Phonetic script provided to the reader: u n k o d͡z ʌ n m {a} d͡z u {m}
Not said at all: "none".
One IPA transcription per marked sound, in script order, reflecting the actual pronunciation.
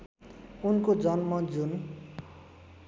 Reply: ʌ, n

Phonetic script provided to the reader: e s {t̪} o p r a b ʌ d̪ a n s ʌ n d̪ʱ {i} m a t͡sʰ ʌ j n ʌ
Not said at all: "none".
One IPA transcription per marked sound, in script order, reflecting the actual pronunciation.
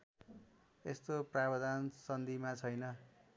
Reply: t̪, i

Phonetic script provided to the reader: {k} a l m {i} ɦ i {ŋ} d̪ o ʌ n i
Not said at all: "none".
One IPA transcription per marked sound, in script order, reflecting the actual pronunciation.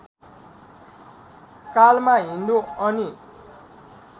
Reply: k, a, n

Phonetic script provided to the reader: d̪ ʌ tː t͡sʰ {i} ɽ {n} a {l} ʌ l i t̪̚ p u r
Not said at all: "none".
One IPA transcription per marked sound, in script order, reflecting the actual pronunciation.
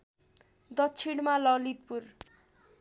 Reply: i, m, l

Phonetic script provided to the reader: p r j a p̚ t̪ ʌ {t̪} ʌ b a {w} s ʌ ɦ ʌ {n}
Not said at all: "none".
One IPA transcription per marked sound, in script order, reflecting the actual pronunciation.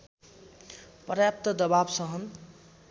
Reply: d̪, b, n

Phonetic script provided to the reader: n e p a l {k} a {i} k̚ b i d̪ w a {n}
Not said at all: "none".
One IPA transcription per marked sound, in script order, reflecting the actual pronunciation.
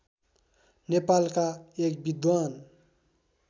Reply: k, e, n

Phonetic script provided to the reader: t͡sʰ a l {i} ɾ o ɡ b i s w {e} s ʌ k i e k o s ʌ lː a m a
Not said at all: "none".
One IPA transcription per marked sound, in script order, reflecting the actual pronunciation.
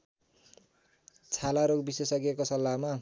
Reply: a, e

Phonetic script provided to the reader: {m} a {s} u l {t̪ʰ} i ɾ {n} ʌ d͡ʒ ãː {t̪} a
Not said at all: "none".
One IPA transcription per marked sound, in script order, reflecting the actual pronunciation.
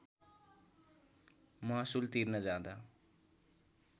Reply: m, s, t̪, n, d̪

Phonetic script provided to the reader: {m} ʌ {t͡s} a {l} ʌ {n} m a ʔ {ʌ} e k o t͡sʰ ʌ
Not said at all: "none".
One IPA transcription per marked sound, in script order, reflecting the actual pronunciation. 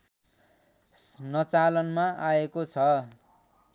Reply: n, t͡s, l, n, a

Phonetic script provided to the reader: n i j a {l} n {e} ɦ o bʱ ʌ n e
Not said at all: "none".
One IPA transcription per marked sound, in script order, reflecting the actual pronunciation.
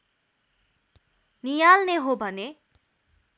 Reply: l, e

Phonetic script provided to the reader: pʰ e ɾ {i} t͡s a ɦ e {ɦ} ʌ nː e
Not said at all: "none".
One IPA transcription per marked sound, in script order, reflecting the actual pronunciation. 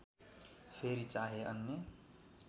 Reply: i, none

